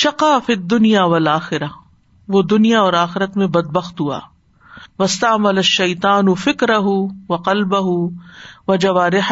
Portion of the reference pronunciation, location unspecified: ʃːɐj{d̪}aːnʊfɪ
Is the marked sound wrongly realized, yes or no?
yes